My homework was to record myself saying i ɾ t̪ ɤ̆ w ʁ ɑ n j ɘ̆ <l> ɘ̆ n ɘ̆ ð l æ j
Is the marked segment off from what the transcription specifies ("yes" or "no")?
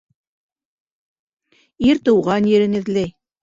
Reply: yes